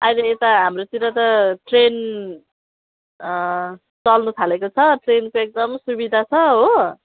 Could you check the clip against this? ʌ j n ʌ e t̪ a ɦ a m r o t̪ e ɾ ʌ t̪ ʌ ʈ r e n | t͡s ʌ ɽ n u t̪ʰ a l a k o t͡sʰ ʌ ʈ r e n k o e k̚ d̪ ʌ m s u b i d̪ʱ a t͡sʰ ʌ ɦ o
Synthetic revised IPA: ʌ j n ʌ e t̪ a ɦ a m r o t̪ i ɾ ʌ t̪ ʌ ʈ r e n | t͡s ʌ l n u t̪ʰ a l e k o t͡sʰ ʌ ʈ r e n k o e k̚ d̪ ʌ m s u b i d̪ʱ a t͡sʰ ʌ ɦ o

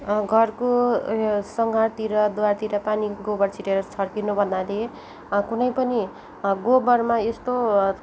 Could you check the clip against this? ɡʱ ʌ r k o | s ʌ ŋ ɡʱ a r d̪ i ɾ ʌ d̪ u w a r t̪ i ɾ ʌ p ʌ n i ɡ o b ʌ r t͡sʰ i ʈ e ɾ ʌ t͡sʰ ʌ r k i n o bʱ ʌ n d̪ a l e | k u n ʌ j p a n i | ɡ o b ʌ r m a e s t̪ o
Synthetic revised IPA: ɡʱ ʌ r k o | s ʌ ŋ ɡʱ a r t̪ i ɾ ʌ d̪ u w a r t̪ i ɾ ʌ p a n i ɡ o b ʌ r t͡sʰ i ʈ e ɾ ʌ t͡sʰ ʌ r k i n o bʱ ʌ n d̪ a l e | k u n ʌ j p ʌ n i | ɡ o b ʌ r m a e s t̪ o

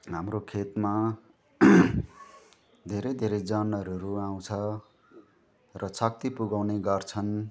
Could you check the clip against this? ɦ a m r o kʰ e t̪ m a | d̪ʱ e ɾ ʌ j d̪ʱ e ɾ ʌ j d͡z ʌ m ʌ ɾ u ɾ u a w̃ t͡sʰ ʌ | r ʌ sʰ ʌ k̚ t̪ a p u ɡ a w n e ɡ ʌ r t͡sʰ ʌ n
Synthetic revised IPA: ɦ a m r o kʰ e t̪ m a | d̪ʱ e ɾ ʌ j d̪ʱ e ɾ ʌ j d͡z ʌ n ʌ ɾ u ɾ u a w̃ t͡sʰ ʌ | r ʌ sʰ ʌ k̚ t̪ i p u ɡ a w n e ɡ ʌ r t͡sʰ ʌ n

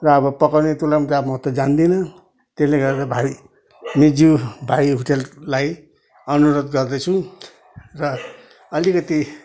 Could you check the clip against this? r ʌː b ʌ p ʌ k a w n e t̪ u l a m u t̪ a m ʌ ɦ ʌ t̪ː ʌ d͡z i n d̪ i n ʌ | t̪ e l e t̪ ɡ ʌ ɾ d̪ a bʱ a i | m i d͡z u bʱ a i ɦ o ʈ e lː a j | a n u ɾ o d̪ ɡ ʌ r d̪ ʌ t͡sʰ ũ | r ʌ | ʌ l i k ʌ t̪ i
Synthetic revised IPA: r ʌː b ʌ p ʌ k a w n e t̪ u l a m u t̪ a m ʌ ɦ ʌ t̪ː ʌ d͡z a n d̪ i n ʌ | t̪ e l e ɡ ʌ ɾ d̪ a bʱ a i | m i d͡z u bʱ a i ɦ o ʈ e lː a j | ʌ n u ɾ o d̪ ɡ ʌ r d̪ ʌ t͡sʰ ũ | r ʌ | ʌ l i k ʌ t̪ i

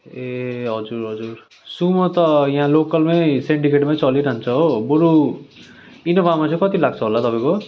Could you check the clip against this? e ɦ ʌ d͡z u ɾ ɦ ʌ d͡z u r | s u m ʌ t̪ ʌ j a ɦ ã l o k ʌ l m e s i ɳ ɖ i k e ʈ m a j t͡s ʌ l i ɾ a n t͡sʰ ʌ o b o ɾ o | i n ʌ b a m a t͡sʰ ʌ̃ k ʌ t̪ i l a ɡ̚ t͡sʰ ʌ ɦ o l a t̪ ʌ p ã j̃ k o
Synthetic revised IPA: e ɦ ʌ d͡z u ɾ ɦ ʌ d͡z u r | s u m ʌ t̪ ʌ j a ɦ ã l o k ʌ l m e s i ɳ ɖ i k e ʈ m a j t͡s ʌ l i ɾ a n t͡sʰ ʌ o b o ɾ u | i n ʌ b a m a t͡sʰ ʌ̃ k ʌ t̪ i l a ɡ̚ t͡sʰ ʌ ɦ o l a t̪ ʌ p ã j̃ k o

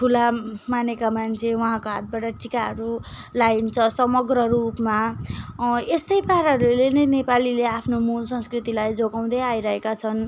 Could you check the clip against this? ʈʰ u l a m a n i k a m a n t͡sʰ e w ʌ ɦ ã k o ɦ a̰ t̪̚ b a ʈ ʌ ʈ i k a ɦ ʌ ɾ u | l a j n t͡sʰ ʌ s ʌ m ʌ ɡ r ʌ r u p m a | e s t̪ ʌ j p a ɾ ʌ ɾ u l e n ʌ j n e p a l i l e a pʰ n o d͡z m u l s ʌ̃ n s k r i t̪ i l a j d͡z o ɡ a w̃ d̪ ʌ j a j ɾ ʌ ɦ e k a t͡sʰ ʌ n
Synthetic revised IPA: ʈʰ u l a m a n e k a m a n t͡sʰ e w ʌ ɦ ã k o ɦ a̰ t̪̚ b a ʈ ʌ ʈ i k a ɦ ʌ ɾ u | l a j n t͡sʰ ʌ s ʌ m ʌ ɡ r ʌ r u p m a | e s t̪ ʌ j p a ɾ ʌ ɾ u l e n ʌ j n e p a l i l e a pʰ n o m u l s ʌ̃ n s k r i t̪ i l a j d͡z o ɡ a w̃ d̪ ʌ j a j ɾ ʌ ɦ e k a t͡sʰ ʌ n

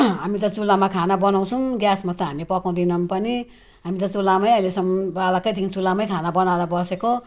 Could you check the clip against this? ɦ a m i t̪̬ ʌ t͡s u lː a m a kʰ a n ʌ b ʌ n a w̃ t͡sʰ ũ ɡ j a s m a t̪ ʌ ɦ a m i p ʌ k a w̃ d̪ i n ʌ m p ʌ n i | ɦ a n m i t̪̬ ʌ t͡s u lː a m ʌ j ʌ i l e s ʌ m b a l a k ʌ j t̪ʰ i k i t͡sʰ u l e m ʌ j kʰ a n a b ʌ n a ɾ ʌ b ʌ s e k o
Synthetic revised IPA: ɦ a m i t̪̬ ʌ t͡s u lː a m a kʰ a n a b ʌ n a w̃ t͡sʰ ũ ɡ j a s m a t̪ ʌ ɦ a m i p ʌ k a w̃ d̪ i n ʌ m p ʌ n i | ɦ a m i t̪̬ ʌ t͡s u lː a m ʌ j ʌ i l e s ʌ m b a l a k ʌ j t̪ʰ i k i t͡s u l a m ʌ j kʰ a n a b ʌ n a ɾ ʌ b ʌ s e k o

